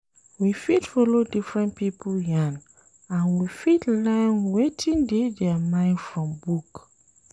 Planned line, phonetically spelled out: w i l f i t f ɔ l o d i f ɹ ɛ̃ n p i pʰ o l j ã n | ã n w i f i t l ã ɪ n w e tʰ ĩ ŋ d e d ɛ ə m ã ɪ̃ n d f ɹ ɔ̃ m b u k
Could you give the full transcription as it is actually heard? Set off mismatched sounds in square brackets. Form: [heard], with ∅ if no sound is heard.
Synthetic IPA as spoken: w i [∅] f i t f ɔ l o d i f ɹ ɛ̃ n p i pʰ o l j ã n | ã n w i f i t l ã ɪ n w e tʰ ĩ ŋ d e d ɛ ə m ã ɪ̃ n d f ɹ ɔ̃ m b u k